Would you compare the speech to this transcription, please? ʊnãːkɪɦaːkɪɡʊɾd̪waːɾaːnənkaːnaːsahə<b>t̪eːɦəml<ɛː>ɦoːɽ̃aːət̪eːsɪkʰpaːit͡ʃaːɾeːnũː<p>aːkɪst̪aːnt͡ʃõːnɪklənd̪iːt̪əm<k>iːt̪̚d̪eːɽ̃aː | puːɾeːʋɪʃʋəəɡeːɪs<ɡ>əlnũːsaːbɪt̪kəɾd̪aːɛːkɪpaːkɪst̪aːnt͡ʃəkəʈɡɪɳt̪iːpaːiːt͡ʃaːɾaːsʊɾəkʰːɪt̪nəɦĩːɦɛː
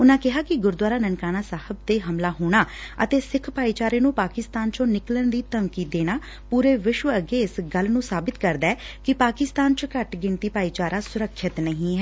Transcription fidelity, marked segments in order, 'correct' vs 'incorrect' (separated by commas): correct, incorrect, correct, correct, correct